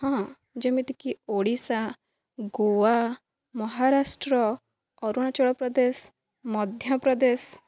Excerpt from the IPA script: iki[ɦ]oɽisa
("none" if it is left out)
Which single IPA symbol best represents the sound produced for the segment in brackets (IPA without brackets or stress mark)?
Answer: none